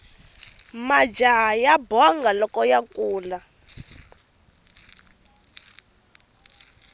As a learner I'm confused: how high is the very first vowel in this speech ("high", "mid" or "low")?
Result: low